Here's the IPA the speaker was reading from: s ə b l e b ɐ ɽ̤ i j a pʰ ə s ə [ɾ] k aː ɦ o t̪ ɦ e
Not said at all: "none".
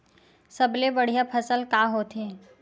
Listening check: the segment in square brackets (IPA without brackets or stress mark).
l